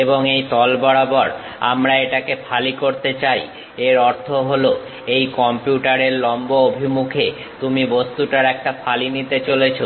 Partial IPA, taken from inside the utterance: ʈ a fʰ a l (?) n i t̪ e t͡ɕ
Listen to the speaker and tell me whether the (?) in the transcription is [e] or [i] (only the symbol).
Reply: i